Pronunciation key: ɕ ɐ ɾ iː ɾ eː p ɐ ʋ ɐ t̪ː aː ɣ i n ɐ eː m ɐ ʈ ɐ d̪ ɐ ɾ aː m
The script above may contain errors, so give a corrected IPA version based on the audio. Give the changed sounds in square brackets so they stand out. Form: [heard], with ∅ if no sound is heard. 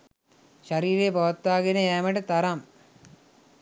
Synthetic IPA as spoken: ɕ ɐ ɾ iː ɾ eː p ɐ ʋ ɐ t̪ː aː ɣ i n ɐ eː m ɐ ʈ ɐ [t̪] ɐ ɾ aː m